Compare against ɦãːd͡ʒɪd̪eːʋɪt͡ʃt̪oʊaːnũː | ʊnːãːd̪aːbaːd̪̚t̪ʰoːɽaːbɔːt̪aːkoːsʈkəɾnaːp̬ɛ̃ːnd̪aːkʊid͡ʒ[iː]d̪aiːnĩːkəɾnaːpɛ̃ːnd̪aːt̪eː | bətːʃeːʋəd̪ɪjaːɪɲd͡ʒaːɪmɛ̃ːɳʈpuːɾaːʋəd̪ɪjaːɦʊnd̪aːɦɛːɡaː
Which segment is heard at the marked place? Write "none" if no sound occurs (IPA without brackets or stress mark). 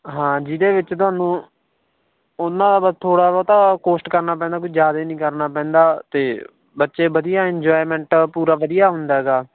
aː